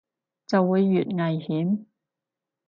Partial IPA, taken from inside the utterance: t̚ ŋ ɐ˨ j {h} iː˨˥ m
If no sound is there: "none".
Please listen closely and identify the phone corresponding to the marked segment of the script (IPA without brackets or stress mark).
h